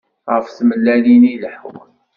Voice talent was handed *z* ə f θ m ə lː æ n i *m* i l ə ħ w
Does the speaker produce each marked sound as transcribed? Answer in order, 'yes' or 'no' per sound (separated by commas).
no, no